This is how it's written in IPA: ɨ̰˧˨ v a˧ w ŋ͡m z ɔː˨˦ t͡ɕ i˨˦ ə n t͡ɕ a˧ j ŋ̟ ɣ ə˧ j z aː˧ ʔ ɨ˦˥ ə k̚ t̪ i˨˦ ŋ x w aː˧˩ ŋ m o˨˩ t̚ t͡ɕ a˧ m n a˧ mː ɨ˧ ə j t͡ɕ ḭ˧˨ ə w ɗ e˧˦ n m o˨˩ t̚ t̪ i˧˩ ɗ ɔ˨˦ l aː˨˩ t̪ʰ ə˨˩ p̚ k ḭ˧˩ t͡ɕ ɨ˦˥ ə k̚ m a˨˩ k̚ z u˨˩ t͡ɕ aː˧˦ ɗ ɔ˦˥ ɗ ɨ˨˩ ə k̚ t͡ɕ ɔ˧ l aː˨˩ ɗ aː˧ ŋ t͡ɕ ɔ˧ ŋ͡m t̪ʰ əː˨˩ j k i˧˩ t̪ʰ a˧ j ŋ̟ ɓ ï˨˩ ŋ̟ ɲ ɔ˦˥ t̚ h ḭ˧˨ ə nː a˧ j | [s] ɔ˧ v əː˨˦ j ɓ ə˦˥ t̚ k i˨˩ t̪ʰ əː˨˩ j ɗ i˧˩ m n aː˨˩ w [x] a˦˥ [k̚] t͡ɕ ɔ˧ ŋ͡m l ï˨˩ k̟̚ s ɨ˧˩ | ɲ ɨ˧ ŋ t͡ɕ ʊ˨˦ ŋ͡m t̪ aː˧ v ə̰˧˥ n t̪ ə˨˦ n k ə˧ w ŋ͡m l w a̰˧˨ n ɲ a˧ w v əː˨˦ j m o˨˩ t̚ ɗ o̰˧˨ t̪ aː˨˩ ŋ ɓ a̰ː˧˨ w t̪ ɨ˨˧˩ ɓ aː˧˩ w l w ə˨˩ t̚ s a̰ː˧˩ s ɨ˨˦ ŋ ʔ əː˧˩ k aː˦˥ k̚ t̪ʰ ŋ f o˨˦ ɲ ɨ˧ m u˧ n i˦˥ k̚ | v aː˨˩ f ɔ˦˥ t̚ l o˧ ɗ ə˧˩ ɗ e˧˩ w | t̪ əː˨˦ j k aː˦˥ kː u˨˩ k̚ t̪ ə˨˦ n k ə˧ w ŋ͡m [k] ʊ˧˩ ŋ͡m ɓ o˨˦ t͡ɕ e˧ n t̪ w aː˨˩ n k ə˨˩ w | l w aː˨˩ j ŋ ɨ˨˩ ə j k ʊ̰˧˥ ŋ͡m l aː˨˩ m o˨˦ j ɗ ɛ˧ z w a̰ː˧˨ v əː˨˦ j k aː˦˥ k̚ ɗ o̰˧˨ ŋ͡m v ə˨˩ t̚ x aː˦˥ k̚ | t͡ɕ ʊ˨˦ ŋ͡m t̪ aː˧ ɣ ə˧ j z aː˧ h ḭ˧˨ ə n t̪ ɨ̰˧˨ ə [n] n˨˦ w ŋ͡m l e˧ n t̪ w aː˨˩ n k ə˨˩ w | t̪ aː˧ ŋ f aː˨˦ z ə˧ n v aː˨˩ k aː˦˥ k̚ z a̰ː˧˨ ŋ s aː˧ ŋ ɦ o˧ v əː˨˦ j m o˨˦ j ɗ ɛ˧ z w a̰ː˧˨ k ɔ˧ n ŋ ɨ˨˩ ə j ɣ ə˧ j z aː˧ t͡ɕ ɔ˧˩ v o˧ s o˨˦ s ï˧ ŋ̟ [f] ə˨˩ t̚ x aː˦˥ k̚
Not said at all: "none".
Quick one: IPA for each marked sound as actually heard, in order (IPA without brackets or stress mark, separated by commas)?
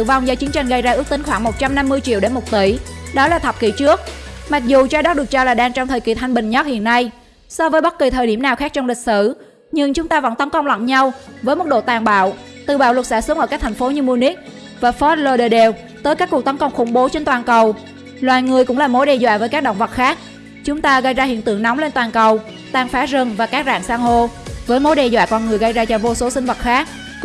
s, x, k̚, x, ŋ, v